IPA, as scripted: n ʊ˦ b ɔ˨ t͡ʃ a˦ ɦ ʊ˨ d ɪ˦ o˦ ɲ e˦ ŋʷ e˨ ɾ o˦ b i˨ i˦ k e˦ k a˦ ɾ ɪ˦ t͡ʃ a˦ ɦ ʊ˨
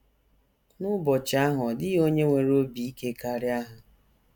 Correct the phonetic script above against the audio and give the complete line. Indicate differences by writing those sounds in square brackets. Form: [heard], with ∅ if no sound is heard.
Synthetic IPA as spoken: n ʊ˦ b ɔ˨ t͡ʃ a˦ ɦ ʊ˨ d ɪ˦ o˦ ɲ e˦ ŋʷ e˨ ɾ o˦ b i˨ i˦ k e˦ k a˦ ɾ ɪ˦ [∅] a˦ ɦ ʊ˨